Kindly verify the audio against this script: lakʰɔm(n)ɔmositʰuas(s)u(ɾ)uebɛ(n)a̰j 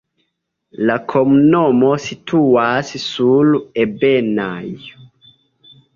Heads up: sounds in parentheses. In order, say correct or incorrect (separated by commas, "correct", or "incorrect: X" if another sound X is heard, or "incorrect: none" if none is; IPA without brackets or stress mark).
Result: correct, correct, incorrect: l, correct